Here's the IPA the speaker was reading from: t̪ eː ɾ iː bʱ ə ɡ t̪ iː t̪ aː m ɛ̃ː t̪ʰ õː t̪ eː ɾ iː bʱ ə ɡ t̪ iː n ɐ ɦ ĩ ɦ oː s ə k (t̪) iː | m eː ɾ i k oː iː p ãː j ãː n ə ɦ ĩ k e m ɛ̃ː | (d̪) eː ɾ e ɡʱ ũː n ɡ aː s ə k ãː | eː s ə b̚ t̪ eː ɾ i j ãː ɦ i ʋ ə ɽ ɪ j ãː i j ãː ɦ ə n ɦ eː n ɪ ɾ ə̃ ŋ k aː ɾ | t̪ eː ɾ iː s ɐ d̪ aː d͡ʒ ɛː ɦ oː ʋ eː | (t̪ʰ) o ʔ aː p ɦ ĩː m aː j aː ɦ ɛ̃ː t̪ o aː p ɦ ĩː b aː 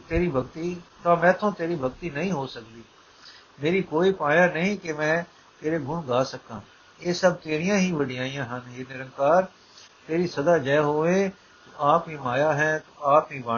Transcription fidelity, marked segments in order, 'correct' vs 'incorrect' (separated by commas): incorrect, incorrect, incorrect